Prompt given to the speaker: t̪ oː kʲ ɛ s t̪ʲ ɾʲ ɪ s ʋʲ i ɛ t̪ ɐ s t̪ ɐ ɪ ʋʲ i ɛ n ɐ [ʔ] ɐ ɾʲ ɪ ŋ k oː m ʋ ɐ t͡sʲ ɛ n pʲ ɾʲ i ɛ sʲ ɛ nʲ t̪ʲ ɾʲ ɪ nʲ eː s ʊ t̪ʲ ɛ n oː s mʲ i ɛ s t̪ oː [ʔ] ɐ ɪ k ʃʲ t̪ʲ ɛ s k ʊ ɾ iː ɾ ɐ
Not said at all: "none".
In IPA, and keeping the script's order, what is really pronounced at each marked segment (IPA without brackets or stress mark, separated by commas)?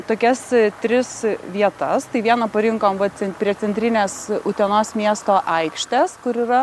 p, ʔ